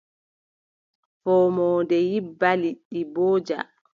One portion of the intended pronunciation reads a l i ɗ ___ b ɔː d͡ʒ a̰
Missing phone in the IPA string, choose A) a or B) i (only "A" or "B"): B